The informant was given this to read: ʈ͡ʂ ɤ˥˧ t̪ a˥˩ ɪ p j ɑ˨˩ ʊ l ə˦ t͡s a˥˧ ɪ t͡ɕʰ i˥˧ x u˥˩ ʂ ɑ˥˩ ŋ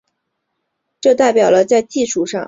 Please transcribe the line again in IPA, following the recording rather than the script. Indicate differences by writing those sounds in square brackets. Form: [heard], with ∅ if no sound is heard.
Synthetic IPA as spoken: ʈ͡ʂ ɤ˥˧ t̪ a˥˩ ɪ p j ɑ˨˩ ʊ l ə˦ t͡s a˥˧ ɪ [t͡ɕ] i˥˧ [ʂ] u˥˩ ʂ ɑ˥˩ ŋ